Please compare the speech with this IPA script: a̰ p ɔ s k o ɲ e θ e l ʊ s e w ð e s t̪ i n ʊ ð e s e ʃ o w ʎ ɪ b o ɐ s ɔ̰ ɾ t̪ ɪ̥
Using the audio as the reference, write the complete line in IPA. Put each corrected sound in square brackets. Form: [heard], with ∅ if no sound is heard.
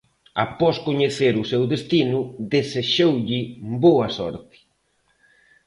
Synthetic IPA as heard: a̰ p ɔ s k o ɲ e θ e [ɾ] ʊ s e w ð e s t̪ i n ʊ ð e s e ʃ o w ʎ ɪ b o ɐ s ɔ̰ ɾ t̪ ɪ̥